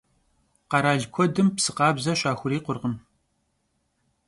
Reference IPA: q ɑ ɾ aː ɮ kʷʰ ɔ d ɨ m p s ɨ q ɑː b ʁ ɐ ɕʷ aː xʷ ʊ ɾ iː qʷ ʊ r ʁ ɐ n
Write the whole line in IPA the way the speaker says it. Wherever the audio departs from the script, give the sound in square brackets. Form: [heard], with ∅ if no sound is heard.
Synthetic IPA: q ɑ ɾ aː ɮ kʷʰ ɔ d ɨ m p s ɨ q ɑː b [z] ɐ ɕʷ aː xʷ ʊ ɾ iː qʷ ʊ r ʁ [ə] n